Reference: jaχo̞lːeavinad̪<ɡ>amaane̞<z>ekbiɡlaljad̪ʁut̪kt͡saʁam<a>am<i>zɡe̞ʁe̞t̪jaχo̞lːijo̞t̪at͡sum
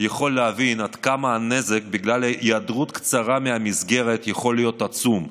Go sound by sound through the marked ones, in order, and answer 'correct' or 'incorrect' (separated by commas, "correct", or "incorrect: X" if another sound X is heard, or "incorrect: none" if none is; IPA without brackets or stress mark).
incorrect: k, correct, incorrect: e, correct